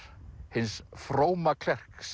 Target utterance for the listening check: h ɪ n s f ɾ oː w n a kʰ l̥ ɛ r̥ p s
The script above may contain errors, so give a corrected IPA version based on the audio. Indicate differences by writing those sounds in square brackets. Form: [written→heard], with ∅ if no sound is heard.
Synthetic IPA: h ɪ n s f ɾ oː w [n→m] a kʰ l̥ ɛ r̥ [p→k] s